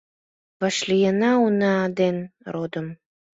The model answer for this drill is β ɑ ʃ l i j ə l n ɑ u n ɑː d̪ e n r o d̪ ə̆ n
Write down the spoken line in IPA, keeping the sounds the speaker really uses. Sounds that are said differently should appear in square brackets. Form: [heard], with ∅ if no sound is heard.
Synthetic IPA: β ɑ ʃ l i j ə [∅] n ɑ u n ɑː d̪ e n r o d̪ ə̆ [m]